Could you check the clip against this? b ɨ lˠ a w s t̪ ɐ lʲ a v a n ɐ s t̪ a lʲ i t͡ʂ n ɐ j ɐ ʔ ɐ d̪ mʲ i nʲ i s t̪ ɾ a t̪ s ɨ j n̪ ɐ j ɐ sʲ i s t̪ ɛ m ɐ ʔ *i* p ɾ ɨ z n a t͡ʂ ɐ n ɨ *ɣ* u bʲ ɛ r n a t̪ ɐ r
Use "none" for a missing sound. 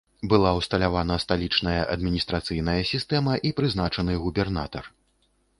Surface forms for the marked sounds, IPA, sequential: i, ɣ

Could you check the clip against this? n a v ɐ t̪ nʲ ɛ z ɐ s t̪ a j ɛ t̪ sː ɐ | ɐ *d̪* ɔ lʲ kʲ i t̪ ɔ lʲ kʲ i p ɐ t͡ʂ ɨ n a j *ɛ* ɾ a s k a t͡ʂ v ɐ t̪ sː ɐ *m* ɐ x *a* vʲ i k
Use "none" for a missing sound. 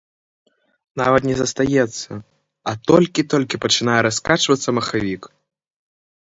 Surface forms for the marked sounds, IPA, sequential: t̪, ɛ, m, a

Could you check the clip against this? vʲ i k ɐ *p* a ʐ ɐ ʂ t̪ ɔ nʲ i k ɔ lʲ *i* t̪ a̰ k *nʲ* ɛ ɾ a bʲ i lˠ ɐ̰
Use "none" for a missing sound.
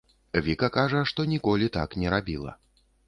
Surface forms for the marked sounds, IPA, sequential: k, i, nʲ

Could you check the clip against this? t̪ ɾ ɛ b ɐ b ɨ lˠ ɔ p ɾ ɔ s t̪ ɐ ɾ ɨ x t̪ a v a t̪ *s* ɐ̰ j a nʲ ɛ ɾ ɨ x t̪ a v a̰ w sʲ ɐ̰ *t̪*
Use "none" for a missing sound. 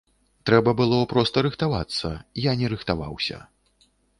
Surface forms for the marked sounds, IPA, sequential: sː, none

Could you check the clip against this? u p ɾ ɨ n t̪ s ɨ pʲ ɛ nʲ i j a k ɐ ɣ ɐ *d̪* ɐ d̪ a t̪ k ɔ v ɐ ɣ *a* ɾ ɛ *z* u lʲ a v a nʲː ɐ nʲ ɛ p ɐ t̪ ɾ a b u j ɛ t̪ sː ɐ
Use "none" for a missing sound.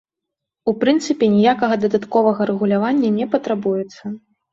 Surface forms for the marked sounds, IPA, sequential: d̪, ɐ, ɣ

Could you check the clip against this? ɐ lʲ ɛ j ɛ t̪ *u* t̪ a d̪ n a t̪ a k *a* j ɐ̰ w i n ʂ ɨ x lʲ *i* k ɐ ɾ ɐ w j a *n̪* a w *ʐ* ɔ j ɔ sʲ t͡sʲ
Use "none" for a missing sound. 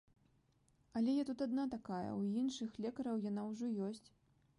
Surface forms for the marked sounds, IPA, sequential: u, a, ɛ, n̪, ʐ

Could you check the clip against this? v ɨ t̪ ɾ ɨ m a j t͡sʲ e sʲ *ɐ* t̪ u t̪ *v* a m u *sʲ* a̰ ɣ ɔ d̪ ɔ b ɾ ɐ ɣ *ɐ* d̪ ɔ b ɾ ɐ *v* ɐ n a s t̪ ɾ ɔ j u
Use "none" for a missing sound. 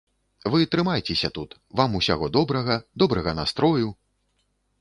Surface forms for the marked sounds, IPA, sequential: ɐ, v, sʲ, ɐ, ɣ

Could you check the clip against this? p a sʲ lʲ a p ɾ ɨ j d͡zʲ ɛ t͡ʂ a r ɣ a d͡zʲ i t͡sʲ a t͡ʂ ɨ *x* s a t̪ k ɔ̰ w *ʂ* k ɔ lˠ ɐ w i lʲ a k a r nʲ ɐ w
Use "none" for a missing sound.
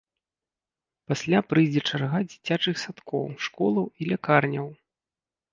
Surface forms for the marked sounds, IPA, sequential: x, ʂ

